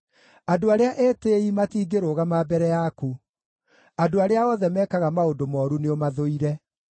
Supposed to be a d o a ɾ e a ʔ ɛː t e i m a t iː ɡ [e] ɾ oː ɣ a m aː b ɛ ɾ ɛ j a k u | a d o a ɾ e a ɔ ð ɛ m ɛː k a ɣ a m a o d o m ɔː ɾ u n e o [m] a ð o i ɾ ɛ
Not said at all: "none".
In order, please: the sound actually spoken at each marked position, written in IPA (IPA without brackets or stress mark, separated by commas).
e, m